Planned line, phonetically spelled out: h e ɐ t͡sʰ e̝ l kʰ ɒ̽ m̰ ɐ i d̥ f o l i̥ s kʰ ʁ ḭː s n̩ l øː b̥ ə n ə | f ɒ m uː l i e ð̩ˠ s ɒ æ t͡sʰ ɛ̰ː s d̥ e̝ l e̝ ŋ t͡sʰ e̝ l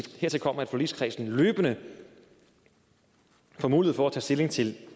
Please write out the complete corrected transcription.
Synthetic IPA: h e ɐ t͡sʰ e̝ l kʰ ɒ̽ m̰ ɐ æ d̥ f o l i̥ s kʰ ʁ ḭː s n̩ l øː b̥ ə n ə | f ɒ m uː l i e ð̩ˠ f ɒ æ t͡sʰ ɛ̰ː s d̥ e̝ l e̝ ŋ t͡sʰ e̝ l

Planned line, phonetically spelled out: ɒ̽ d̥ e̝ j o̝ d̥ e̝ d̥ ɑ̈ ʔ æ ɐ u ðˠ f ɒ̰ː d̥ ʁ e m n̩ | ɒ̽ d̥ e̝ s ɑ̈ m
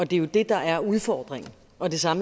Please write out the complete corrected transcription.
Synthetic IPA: ɒ̽ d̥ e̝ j o̝ d̥ e̝ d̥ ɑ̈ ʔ æ ɐ u ðˠ f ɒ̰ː d̥ ʁ e ŋ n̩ | ɒ̽ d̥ e̝ s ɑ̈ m

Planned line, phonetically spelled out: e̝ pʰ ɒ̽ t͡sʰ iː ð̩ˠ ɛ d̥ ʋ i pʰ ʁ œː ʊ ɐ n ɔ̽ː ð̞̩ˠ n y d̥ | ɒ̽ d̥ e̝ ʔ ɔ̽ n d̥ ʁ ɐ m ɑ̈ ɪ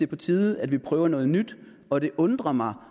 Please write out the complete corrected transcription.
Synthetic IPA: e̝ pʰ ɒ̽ t͡sʰ iː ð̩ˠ æ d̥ ʋ i pʰ ʁ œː ʊ ɐ n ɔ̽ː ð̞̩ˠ n y d̥ | ɒ̽ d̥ e̝ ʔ ɔ̽ n d̥ ʁ ɐ m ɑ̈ ɪ

